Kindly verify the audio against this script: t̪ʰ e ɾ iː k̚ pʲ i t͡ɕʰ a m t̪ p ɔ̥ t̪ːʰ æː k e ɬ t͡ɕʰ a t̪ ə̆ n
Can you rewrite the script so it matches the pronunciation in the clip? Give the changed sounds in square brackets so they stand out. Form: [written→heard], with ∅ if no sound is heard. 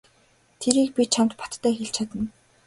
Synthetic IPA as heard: t̪ʰ e ɾ iː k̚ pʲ i t͡ɕʰ a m t̪ p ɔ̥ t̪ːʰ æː [k→x] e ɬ t͡ɕʰ a t̪ ə̆ n